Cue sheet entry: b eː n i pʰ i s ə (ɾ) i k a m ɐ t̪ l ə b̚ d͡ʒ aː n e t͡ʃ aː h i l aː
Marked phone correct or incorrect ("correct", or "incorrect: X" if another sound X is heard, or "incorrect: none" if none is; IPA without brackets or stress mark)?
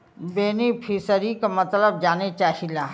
correct